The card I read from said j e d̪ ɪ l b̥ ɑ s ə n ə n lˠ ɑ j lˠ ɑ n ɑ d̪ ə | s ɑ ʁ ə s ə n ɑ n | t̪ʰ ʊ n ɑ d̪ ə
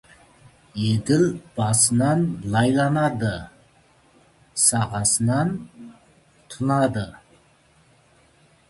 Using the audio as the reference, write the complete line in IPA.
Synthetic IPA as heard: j e d̪ ɪ l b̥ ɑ s ə n ɑ n lˠ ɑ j lˠ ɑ n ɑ d̪ ə | s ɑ ʁ ɑ s ə n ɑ n | t̪ʰ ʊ n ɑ d̪ ə